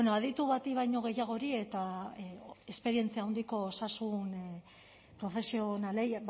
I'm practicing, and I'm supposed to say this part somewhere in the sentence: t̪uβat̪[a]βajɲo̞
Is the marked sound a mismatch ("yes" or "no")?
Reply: yes